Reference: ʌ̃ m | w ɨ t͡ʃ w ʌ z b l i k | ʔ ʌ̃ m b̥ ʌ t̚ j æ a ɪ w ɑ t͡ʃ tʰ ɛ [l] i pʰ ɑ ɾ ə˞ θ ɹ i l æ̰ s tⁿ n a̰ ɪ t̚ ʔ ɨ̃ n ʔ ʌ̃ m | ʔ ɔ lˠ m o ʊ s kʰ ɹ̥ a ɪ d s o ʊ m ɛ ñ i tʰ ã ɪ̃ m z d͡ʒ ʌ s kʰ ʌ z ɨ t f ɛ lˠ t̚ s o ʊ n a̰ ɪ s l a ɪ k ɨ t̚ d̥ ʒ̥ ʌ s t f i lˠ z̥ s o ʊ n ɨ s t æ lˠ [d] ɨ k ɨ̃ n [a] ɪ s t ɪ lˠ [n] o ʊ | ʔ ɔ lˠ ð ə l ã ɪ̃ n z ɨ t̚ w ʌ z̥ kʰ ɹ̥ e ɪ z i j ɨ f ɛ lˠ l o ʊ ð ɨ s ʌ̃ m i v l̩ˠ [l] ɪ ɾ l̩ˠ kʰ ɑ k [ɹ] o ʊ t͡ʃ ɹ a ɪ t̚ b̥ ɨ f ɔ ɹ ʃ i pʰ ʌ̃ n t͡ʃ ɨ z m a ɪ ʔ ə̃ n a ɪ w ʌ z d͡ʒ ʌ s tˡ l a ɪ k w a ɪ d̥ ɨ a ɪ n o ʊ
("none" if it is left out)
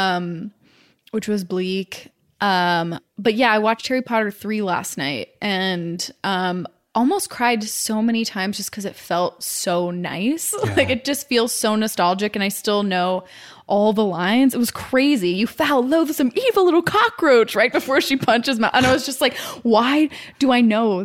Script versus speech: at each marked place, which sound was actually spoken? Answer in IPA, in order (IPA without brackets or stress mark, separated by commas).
ɹ, d͡ʒ, a, n, l, ɹ